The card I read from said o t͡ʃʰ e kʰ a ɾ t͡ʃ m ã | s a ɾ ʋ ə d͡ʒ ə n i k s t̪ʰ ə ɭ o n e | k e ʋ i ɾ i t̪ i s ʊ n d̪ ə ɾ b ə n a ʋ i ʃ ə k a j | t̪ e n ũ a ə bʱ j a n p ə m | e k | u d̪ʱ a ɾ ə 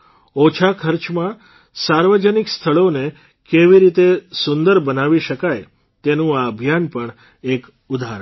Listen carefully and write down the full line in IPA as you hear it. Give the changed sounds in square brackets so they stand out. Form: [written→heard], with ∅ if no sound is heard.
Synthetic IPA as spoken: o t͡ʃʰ [e→a] kʰ [a→ə] ɾ t͡ʃ m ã | s a ɾ ʋ ə d͡ʒ ə n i k s t̪ʰ ə ɭ o n e | k e ʋ i ɾ i t̪ [i→e] s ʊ n d̪ ə ɾ b ə n a ʋ i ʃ ə k a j | t̪ e n ũ a ə bʱ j a n p ə [m→ɳ] | e k | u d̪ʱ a ɾ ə